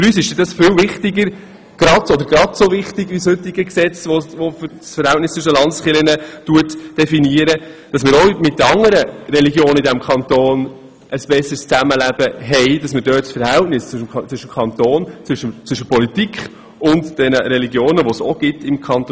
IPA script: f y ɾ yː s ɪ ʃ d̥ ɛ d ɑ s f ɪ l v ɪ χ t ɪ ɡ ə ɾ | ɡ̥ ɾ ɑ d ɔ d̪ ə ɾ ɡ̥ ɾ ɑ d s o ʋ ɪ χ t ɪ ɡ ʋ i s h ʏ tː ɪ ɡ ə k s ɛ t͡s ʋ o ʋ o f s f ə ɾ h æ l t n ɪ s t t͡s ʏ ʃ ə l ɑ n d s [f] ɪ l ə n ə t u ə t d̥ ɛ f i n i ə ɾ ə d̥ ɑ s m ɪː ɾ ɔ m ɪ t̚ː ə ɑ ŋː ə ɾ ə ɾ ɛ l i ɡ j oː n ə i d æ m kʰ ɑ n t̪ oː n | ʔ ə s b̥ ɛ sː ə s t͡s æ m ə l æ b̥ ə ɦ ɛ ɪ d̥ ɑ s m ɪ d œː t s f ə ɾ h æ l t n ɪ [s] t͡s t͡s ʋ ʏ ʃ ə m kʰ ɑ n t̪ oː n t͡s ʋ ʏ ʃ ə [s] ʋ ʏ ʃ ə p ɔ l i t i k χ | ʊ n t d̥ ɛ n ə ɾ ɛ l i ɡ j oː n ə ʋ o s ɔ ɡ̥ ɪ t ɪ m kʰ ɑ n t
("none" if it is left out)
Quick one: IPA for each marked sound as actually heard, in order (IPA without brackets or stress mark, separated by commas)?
χ, s, t͡s